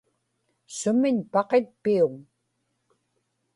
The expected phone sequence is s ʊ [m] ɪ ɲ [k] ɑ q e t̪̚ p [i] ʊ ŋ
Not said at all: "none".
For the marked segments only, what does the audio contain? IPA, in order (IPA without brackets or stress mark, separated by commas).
m, p, i